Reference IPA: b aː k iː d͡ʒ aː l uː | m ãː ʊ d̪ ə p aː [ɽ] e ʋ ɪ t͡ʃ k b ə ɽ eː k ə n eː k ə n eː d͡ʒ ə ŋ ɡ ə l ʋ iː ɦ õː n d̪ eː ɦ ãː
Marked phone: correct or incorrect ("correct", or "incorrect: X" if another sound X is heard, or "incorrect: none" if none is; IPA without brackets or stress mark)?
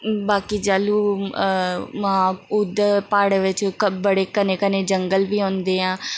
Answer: correct